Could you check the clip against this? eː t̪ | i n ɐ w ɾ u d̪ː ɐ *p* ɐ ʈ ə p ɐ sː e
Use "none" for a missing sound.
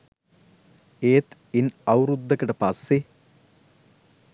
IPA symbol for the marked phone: k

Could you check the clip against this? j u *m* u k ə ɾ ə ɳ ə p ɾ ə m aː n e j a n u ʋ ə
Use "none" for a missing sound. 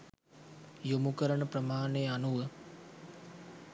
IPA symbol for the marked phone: m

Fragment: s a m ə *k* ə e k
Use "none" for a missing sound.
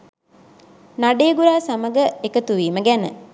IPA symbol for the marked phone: ɡ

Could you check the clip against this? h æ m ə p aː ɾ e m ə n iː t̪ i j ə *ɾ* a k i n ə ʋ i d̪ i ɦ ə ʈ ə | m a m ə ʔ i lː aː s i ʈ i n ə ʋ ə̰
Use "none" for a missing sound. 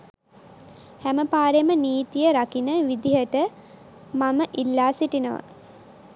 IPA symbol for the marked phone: ɾ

